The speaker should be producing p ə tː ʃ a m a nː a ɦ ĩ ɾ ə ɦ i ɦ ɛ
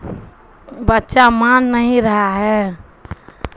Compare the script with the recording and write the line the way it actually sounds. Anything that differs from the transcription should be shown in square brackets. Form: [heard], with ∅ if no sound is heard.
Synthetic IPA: [b] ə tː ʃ a m a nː [ə] ɦ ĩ ɾ ə ɦ [a] ɦ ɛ